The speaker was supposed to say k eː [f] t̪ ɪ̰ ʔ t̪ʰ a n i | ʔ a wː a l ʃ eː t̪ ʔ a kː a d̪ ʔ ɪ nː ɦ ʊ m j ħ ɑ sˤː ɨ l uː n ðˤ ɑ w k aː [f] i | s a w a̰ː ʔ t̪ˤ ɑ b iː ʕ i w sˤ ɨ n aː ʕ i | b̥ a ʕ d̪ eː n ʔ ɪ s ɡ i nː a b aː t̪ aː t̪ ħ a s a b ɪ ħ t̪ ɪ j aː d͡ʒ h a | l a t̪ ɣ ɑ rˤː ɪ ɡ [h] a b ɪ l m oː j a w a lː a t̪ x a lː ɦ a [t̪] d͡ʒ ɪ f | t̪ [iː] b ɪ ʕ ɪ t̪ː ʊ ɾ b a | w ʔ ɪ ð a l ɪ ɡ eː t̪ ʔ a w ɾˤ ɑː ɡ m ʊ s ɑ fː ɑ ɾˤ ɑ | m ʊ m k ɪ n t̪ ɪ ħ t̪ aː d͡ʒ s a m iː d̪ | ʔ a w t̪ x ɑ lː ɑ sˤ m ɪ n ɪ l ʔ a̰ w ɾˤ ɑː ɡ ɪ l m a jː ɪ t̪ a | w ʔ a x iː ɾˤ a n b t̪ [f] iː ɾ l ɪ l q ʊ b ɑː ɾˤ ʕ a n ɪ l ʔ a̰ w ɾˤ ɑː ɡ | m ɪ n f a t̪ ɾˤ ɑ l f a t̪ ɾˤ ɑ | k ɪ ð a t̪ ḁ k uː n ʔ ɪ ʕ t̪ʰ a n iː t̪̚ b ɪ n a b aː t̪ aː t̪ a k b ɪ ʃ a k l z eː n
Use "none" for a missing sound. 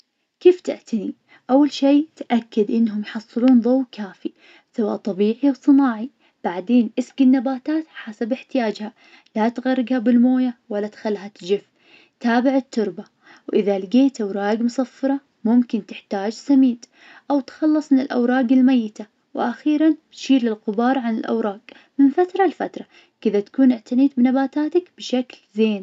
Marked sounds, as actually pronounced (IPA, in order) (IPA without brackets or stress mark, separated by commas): f, f, h, t̪, aː, ʃ